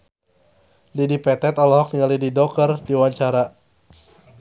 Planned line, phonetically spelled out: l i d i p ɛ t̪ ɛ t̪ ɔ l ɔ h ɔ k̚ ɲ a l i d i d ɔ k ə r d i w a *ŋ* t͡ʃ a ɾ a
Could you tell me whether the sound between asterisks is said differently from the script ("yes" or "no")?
yes